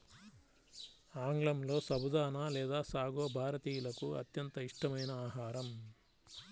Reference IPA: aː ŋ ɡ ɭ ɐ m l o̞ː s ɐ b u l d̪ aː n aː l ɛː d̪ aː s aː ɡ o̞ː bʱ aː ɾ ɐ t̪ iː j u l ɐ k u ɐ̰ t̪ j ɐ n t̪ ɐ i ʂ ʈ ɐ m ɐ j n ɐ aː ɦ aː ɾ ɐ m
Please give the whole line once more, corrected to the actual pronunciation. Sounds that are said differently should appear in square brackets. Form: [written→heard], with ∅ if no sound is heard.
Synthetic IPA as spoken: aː ŋ ɡ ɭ ɐ m l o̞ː s ɐ b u [l→∅] d̪ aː n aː l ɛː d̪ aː s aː ɡ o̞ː bʱ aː ɾ ɐ t̪ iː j u l ɐ k u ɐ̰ t̪ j ɐ n t̪ ɐ i ʂ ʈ ɐ m ɐ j n ɐ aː ɦ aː ɾ ɐ m